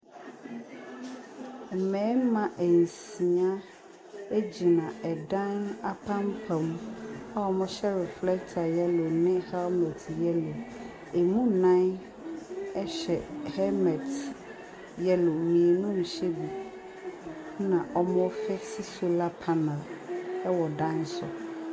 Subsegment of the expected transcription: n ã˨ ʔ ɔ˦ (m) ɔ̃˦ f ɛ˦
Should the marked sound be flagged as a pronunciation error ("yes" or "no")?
no